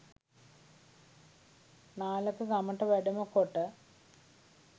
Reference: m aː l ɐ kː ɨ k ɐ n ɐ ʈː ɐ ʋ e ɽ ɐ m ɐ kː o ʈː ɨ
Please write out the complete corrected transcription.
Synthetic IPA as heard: n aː l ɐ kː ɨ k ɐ m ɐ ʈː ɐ ʋ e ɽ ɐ m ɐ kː o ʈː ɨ